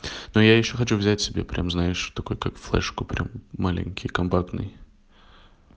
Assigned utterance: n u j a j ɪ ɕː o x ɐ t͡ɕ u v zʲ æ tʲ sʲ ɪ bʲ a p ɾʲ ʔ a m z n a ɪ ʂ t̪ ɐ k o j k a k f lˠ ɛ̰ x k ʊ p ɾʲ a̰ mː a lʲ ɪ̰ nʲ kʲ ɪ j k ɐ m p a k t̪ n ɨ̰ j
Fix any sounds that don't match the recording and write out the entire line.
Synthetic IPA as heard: n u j a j ɪ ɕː o x ɐ t͡ɕ u v zʲ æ tʲ sʲ ɪ bʲ e p ɾʲ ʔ a m z n a ɪ ʂ t̪ ɐ k o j k a k f lˠ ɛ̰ ʂ k ʊ p ɾʲ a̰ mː a lʲ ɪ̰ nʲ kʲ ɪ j k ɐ m p a k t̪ n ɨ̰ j